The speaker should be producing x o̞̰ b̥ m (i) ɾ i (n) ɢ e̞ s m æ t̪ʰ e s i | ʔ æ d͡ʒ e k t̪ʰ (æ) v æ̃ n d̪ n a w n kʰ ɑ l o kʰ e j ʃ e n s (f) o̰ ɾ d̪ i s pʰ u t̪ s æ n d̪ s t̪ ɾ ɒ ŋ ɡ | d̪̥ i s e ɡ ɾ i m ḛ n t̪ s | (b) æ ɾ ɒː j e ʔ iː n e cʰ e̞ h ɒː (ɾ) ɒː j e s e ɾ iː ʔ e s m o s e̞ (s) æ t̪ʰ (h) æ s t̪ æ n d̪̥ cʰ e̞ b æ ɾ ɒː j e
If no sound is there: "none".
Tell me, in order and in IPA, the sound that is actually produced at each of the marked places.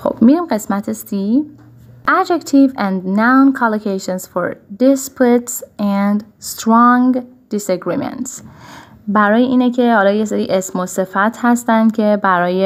i, m, i, f, b, l, f, h

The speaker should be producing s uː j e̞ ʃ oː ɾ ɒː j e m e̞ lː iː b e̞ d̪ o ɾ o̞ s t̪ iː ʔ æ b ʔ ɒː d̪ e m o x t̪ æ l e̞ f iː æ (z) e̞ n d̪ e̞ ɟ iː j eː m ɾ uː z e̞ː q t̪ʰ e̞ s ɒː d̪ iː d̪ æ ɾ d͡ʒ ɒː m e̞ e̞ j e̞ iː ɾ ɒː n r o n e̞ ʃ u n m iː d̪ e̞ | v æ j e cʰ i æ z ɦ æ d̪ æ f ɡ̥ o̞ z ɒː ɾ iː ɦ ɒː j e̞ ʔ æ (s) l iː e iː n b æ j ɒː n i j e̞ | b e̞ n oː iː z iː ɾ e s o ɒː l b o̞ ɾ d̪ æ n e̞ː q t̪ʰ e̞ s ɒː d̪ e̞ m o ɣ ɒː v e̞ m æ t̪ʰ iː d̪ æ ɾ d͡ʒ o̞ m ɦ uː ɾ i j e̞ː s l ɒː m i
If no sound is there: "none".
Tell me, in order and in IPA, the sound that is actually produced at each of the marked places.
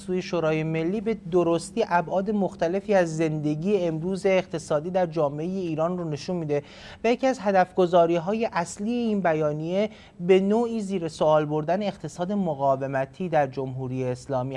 zː, s

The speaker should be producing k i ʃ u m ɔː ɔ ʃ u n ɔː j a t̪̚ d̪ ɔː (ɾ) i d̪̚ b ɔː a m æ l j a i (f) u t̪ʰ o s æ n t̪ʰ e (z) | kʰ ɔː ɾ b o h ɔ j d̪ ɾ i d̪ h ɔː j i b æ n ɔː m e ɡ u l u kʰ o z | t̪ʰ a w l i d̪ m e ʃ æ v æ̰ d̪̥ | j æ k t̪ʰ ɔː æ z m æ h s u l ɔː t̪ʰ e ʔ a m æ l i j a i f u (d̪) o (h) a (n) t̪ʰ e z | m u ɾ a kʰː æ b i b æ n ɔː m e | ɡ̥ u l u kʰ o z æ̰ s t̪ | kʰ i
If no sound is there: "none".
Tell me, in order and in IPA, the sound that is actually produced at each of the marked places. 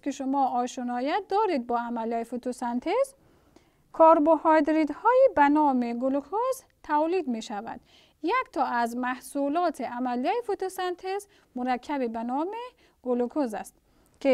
ɾ, f, z, t̪, s, n

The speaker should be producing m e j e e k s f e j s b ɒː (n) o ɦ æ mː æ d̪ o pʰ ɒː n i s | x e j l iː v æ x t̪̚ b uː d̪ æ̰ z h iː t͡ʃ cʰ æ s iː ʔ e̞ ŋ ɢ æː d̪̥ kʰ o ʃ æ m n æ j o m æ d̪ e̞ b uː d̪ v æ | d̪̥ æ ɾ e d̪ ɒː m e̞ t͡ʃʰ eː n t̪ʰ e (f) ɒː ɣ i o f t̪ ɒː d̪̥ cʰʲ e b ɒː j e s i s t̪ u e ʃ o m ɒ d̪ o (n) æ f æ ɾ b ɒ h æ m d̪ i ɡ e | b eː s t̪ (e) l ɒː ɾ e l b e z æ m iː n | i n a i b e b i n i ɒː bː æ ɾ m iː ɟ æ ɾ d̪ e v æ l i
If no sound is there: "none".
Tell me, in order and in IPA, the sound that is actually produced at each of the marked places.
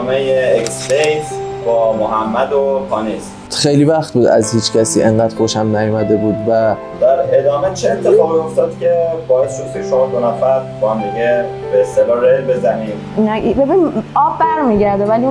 m, f, n, e

